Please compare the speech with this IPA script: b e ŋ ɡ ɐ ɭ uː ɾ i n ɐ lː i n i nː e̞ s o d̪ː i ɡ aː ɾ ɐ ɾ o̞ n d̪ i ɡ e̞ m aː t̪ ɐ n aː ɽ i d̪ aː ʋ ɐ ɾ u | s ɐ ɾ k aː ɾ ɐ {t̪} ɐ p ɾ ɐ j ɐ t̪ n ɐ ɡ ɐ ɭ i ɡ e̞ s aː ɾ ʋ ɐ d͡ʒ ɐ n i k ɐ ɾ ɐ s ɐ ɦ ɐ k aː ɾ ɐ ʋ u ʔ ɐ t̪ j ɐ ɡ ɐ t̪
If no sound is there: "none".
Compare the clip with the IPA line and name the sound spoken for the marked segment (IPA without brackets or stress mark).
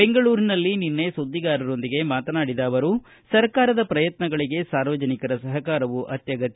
d̪